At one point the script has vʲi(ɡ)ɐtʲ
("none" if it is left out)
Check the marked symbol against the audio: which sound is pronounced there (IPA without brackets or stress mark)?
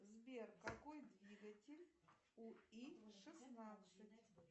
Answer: ɡ